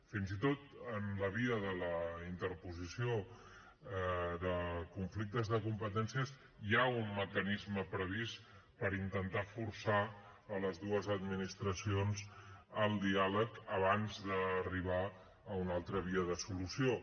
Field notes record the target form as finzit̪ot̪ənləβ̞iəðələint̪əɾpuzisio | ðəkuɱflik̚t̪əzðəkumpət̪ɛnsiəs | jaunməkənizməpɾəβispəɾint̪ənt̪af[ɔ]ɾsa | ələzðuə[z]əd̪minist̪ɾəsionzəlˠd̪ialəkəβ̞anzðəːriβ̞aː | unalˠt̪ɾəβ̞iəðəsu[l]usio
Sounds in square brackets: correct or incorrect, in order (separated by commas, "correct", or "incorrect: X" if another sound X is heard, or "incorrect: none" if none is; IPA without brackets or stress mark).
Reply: incorrect: u, correct, correct